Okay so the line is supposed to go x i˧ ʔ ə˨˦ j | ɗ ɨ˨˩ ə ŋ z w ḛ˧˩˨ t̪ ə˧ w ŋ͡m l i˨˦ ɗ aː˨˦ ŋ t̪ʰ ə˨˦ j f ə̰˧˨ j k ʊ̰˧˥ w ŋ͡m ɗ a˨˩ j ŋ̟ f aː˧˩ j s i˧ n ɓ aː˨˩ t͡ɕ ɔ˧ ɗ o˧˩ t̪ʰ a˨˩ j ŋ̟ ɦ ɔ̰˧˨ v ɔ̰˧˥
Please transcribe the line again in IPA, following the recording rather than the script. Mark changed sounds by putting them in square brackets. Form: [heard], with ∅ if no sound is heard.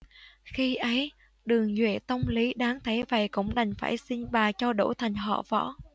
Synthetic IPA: x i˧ ʔ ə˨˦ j | ɗ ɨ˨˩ ə ŋ z w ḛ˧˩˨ t̪ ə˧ w ŋ͡m l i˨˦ ɗ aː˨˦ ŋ t̪ʰ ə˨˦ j [v] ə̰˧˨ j k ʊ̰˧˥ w ŋ͡m ɗ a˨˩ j ŋ̟ f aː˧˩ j s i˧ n ɓ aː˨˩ t͡ɕ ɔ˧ ɗ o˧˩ t̪ʰ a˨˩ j ŋ̟ ɦ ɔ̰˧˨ v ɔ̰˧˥